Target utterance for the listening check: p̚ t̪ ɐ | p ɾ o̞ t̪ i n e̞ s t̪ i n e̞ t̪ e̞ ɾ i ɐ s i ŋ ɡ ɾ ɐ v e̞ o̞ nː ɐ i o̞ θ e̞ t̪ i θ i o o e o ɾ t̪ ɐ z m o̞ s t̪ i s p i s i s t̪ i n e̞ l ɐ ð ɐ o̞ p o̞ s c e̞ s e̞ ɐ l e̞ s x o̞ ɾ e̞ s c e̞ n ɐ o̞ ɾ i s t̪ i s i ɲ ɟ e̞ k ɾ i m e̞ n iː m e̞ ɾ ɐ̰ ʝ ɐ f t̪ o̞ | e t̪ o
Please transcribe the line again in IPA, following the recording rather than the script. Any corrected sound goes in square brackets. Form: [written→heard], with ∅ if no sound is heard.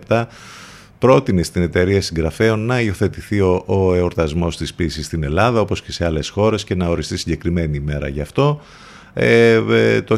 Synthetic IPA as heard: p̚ t̪ ɐ | p ɾ o̞ t̪ i n e̞ s t̪ i n e̞ t̪ e̞ ɾ i ɐ s i ŋ ɡ ɾ ɐ [v→f] e̞ o̞ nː ɐ i o̞ θ e̞ t̪ i θ i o o e o ɾ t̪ ɐ z m o̞ s t̪ i s p i s i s t̪ i n e̞ l ɐ ð ɐ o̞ p o̞ s c e̞ s e̞ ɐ l e̞ s x o̞ ɾ e̞ s c e̞ n ɐ o̞ ɾ i s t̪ i s i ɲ ɟ e̞ k ɾ i m e̞ n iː m e̞ ɾ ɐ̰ ʝ ɐ f t̪ o̞ | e t̪ o